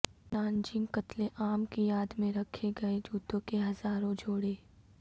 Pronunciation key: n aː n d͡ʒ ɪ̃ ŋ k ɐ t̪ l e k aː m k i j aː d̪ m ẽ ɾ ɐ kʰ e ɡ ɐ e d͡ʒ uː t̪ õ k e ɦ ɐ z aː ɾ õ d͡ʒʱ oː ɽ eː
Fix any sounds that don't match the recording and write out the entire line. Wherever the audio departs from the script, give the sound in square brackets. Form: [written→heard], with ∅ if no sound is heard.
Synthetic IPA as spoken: n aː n d͡ʒ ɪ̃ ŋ k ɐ t̪ l e [k→ʔ] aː m k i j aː d̪ m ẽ ɾ ɐ kʰ e ɡ ɐ e d͡ʒ uː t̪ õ k e ɦ ɐ z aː ɾ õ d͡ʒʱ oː ɽ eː